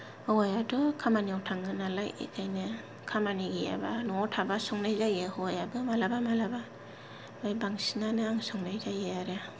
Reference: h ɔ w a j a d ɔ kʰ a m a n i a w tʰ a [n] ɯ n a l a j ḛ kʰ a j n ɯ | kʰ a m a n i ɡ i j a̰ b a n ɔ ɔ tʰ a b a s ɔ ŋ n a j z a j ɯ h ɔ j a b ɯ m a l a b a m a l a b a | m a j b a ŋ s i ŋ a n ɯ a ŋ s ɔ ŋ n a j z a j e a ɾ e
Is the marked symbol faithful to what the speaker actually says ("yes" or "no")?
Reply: no